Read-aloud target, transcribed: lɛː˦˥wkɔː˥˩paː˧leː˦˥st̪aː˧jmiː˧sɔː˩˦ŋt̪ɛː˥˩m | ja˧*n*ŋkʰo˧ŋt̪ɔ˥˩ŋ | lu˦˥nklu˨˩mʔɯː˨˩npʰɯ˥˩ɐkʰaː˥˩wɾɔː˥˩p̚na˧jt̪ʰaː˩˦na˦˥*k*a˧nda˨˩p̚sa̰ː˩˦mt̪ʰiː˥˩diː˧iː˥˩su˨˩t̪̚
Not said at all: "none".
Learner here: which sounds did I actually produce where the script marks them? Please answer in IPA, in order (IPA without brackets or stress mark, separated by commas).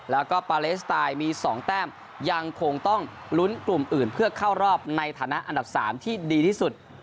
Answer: none, ʔ